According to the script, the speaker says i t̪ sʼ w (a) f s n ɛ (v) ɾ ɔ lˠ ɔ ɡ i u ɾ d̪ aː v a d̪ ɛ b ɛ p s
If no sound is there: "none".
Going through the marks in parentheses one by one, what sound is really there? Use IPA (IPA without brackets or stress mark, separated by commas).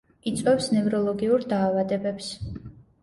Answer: ɛ, v